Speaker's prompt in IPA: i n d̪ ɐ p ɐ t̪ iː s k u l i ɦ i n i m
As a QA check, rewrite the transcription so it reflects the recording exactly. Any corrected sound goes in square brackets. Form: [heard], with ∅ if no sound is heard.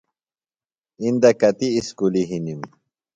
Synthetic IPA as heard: i n d̪ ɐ [k] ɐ t̪ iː s k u l i ɦ i n i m

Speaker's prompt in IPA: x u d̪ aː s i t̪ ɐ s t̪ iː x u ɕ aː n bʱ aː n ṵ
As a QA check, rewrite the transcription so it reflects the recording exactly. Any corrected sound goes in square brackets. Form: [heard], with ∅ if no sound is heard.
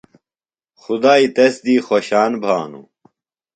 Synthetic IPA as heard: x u d̪ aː [∅] i t̪ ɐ s [d̪] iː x [o] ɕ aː n bʱ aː n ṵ

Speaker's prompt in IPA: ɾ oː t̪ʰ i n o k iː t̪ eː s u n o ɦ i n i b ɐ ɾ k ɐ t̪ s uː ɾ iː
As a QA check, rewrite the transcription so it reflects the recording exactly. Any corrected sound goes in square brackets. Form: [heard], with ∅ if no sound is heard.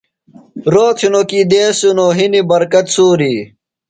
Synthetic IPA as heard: ɾ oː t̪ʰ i n o k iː [d̪] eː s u n o ɦ i n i b ɐ ɾ k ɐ t̪ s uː ɾ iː

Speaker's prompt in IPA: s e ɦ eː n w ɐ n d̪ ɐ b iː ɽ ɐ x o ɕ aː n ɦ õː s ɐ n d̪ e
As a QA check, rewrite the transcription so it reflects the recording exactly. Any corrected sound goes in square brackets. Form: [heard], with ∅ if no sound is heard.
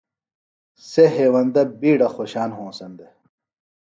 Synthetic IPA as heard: s e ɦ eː [∅] w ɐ n d̪ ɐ b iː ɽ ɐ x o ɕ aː n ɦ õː s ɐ n d̪ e

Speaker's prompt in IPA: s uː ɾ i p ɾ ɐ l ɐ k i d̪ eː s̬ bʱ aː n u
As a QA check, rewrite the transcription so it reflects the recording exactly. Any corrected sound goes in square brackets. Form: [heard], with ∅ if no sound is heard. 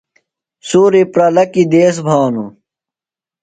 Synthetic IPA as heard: s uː ɾ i p ɾ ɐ l ɐ k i d̪ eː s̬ bʱ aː n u

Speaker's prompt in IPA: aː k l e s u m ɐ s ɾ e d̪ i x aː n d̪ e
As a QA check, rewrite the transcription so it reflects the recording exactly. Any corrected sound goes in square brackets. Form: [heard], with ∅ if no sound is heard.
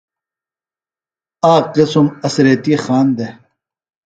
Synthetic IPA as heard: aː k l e s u m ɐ s ɾ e [t̪] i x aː n d̪ e

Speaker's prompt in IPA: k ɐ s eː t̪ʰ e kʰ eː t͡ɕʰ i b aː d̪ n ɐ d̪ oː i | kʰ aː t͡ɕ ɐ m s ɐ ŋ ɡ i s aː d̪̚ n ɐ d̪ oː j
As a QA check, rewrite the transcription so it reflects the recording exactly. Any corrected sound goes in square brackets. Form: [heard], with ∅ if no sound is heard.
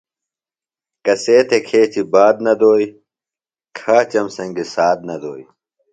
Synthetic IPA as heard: k ɐ s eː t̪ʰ e kʰ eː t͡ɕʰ i b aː d̪ n ɐ d̪ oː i | kʰ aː t͡ɕ ɐ m s ɐ ŋ ɡ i s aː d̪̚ n ɐ d̪ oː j

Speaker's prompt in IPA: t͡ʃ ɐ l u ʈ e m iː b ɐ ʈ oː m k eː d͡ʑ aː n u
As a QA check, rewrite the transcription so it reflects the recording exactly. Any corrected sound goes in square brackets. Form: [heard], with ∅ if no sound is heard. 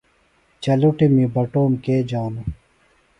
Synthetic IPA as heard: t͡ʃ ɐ l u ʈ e m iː b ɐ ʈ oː m k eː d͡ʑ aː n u

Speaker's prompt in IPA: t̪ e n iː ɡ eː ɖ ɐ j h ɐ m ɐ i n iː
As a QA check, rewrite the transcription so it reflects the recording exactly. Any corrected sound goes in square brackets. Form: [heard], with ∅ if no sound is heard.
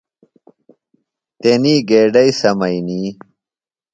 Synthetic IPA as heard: t̪ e n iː ɡ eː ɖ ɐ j [s] ɐ m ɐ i n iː

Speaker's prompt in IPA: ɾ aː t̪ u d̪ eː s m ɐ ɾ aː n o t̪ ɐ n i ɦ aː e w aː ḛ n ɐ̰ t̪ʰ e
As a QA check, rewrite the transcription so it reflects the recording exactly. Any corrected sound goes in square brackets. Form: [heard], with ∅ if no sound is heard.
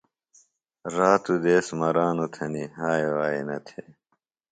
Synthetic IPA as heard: ɾ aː t̪ u d̪ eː s m ɐ ɾ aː n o [t̪ʰ] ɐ n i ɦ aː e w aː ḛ n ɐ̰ t̪ʰ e

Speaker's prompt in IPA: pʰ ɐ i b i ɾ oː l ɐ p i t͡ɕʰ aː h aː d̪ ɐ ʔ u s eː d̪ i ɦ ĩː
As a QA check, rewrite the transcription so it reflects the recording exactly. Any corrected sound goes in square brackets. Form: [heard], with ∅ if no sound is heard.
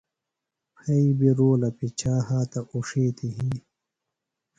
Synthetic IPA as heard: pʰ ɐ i b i ɾ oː l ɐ p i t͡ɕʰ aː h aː [t̪] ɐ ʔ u [ʂ] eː [t̪] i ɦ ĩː

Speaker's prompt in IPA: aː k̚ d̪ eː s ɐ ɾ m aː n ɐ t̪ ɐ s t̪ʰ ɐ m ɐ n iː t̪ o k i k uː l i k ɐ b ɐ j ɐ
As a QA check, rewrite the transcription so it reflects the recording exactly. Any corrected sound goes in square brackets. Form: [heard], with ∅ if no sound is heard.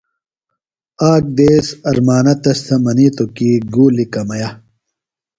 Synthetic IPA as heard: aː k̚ d̪ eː s ɐ ɾ m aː n ɐ t̪ ɐ s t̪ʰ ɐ m ɐ n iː t̪ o k i [ɡ] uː l i k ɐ [m] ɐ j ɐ

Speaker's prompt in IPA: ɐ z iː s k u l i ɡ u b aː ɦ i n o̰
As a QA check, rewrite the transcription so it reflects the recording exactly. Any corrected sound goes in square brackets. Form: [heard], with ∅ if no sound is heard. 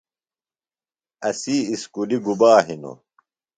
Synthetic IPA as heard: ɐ [s] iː s k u l i ɡ u b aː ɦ i n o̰

